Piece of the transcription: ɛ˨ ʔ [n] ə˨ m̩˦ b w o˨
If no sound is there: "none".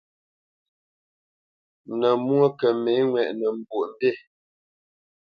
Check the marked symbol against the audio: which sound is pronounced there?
n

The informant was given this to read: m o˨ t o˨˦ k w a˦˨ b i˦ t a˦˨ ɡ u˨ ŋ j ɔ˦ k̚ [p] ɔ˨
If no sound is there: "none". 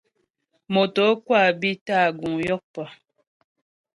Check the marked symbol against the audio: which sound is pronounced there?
p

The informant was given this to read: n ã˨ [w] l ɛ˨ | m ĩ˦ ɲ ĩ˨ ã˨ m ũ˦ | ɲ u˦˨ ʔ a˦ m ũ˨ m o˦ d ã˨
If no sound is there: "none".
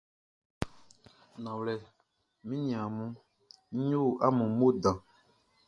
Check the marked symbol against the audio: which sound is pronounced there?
w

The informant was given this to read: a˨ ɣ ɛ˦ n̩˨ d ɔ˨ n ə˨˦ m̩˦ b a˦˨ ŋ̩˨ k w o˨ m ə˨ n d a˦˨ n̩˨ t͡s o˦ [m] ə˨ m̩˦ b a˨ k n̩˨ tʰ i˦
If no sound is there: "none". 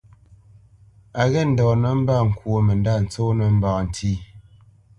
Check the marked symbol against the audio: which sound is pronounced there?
n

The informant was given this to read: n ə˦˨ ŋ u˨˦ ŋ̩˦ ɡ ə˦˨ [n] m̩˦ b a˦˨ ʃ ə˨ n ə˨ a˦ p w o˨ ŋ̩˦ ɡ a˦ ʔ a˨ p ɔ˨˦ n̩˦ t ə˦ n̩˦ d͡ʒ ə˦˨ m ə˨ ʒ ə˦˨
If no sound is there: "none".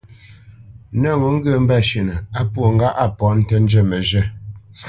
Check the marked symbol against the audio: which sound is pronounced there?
none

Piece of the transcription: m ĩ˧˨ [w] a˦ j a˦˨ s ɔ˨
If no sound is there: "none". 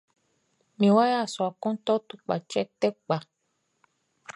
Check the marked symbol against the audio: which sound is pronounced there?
w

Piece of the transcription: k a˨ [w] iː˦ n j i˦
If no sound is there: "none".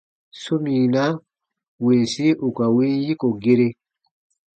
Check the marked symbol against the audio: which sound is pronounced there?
w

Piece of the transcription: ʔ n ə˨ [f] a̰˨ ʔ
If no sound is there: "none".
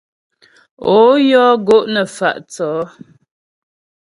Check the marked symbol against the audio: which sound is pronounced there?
f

